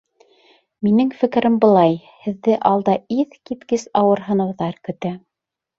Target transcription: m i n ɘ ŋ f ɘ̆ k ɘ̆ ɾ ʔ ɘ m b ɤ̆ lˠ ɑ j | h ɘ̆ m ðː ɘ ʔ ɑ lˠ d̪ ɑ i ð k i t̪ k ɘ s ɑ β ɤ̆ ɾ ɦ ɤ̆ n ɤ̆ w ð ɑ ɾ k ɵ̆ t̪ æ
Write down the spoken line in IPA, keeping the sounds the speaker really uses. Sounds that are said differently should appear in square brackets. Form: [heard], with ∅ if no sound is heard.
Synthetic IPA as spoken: m i n ɘ ŋ f ɘ̆ k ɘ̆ ɾ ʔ ɘ m b ɤ̆ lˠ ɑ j | h ɘ̆ [∅] ðː ɘ ʔ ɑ lˠ d̪ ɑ i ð k i t̪ k ɘ s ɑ [w] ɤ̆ ɾ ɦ ɤ̆ n ɤ̆ w ð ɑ ɾ k ɵ̆ t̪ æ